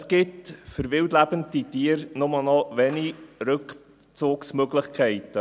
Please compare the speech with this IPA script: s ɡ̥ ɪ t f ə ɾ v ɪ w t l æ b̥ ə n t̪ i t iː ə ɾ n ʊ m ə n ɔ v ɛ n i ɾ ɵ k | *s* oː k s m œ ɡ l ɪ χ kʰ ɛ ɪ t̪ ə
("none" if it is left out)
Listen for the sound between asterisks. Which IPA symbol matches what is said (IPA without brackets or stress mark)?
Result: t͡s